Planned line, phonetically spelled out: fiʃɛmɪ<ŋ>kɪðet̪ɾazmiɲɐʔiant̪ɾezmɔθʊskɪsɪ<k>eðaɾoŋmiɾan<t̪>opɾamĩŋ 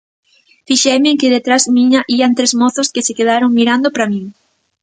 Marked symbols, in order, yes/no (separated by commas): yes, yes, no